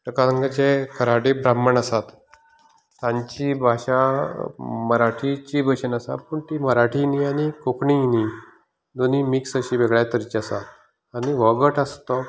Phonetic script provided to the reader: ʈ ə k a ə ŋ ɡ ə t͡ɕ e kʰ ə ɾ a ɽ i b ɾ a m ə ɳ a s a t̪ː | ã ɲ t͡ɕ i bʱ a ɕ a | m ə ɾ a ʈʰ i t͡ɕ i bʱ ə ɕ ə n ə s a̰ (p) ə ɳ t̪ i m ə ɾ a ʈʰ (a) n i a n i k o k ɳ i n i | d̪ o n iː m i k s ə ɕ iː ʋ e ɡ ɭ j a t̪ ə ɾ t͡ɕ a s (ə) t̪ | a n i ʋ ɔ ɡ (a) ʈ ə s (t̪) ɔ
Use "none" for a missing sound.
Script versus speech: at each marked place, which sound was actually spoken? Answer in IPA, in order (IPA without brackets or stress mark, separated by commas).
p, i, a, ə, t̪